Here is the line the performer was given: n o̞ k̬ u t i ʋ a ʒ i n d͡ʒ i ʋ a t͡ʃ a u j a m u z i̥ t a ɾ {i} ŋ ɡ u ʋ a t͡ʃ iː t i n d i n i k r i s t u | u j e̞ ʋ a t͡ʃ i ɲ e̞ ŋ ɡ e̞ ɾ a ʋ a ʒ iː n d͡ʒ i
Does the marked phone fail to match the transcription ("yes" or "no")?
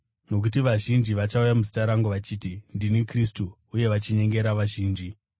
yes